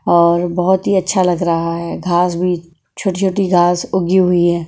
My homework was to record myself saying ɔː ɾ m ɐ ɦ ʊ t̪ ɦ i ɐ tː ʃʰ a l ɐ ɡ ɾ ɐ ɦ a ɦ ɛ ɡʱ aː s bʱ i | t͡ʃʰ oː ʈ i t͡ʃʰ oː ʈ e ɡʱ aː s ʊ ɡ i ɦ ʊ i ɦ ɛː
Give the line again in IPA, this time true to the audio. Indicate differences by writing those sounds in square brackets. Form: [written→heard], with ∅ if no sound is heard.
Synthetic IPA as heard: ɔː ɾ [m→b] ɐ ɦ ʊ t̪ ɦ i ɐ tː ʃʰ a l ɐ ɡ ɾ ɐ ɦ a ɦ ɛ ɡʱ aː s bʱ i | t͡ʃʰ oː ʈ i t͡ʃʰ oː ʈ [e→i] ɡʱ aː s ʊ ɡ i ɦ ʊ i ɦ ɛː